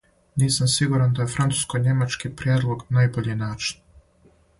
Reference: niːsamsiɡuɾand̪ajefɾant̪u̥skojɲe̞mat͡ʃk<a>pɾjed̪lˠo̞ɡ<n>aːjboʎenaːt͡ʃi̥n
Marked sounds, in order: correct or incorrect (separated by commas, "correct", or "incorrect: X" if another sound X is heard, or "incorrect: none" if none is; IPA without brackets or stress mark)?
incorrect: i, correct